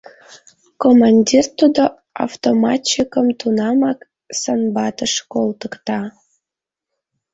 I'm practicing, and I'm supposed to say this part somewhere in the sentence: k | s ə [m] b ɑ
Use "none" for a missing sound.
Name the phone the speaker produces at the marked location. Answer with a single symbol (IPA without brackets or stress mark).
n